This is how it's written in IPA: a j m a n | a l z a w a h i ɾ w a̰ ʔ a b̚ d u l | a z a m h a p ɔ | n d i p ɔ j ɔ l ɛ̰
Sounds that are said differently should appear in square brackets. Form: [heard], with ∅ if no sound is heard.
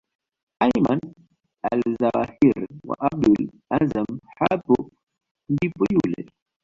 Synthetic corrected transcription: a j m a n | a l z a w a h i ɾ w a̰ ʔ a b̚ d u l | a z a m h a p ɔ | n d i p ɔ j [u] l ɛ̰